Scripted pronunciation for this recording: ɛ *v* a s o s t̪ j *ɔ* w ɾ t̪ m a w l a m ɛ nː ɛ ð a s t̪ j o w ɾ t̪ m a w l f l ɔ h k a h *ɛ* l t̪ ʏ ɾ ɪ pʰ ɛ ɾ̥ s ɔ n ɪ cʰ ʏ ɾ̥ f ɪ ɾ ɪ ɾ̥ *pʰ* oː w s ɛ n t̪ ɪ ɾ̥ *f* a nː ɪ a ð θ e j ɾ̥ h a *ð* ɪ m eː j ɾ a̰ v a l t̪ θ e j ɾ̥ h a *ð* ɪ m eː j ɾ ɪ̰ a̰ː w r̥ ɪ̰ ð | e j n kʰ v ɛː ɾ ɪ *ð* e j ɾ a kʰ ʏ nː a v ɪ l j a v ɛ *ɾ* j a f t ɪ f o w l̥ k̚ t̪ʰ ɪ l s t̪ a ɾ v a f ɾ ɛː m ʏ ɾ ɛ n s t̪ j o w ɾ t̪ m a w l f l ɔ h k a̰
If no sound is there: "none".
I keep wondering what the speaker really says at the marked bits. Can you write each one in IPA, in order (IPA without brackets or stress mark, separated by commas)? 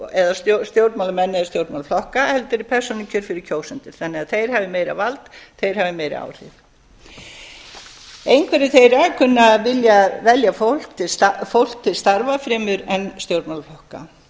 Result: ð, o, ɛ, cʰ, θ, v, v, θ, l